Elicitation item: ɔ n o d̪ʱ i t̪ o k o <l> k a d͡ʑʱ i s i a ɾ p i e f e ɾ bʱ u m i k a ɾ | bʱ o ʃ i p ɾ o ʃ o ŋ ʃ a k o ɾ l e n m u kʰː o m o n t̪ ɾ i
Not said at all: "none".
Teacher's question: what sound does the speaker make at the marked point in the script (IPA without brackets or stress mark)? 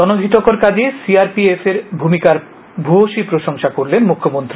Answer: ɾ